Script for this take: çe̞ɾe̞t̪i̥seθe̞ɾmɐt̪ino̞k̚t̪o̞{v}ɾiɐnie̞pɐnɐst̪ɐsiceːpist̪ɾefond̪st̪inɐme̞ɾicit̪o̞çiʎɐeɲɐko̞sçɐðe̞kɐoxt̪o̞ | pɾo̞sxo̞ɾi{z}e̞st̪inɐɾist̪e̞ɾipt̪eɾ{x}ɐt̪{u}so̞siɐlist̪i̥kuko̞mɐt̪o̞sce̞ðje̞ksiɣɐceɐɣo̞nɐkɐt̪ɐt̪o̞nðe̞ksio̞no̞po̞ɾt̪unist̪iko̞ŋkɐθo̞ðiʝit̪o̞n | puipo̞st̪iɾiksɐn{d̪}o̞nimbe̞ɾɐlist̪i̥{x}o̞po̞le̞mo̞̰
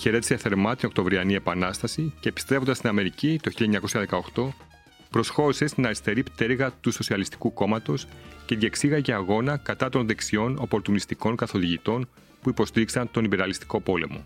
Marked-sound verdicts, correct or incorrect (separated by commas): correct, incorrect, incorrect, correct, incorrect, incorrect